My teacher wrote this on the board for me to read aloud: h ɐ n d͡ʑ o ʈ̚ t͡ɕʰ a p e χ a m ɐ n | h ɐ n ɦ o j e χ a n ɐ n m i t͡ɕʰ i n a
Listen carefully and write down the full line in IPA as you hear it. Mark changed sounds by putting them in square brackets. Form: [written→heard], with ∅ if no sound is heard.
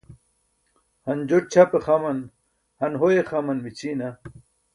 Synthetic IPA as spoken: h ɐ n d͡ʑ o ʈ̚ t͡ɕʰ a p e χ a m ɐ n | h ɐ n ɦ o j e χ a [n→m] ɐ n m i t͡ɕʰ i n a

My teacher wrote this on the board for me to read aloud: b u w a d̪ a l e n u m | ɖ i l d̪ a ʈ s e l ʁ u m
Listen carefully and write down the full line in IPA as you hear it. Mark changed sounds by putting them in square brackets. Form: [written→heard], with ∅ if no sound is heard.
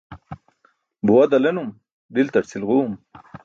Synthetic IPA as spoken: b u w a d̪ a l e n u m | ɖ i l [d̪→t̪] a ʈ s [e→i] l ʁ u m

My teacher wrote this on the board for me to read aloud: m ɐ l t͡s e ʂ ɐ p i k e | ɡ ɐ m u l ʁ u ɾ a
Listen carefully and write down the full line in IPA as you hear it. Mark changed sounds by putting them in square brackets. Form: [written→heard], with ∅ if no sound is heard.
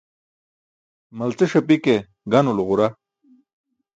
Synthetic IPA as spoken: m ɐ l t͡s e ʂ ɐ p i k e | ɡ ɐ [m→n] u l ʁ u ɾ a

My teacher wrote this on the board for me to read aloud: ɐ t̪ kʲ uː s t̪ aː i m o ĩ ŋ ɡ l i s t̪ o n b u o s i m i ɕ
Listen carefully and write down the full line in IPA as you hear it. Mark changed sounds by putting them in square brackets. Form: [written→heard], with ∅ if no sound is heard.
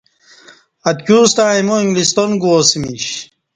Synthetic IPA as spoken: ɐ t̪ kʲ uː s t̪ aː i m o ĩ ŋ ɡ l i s t̪ o n [b→ɡ] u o s i m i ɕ

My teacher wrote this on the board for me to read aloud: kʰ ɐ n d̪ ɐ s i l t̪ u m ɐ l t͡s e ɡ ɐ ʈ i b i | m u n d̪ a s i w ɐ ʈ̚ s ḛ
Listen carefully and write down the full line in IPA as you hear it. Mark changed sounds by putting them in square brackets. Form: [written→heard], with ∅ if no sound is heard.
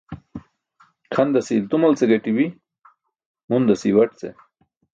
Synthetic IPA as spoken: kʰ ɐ n d̪ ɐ s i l t̪ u m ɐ l t͡s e ɡ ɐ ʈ i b i | m u n d̪ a s i w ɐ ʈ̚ [s→t͡s] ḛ

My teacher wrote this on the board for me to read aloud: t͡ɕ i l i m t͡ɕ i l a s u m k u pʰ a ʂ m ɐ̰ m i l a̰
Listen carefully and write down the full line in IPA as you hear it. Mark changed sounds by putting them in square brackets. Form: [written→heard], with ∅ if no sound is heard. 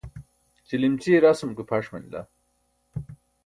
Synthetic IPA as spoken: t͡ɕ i l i m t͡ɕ i [l→ɾ] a s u m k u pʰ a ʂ m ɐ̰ [m→n] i l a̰

